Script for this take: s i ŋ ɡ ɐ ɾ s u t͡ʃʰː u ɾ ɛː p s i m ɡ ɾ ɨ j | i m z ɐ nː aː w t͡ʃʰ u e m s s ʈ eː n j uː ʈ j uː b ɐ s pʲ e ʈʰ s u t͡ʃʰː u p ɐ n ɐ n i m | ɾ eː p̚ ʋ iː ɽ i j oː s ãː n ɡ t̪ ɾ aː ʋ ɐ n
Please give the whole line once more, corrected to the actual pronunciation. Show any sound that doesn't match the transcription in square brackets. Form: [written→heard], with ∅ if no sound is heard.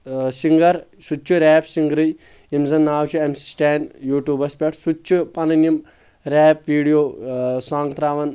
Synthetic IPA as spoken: s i ŋ ɡ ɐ ɾ s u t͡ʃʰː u ɾ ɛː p s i [m→ŋ] ɡ ɾ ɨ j | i m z ɐ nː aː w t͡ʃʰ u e m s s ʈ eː n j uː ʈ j uː b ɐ s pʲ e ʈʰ s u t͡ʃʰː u p ɐ n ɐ n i m | ɾ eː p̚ ʋ iː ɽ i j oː s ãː [n→ŋ] ɡ t̪ ɾ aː ʋ ɐ n